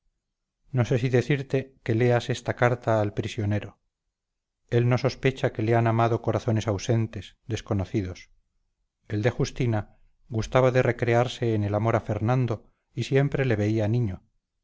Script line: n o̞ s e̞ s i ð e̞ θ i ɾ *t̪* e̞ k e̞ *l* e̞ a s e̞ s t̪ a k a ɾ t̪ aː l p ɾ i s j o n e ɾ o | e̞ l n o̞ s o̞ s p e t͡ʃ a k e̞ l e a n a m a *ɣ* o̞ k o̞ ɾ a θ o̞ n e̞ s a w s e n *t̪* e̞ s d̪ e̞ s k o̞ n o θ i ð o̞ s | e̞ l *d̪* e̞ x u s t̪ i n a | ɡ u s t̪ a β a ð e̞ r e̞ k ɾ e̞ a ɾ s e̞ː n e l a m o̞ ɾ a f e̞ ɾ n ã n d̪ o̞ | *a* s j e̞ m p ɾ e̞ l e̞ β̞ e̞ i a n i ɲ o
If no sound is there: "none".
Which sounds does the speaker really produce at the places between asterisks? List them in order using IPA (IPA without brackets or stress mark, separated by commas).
t̪, l, ð, t̪, d̪, i